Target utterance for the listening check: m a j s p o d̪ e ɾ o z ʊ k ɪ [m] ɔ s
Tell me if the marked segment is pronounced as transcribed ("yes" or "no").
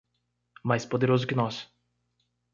no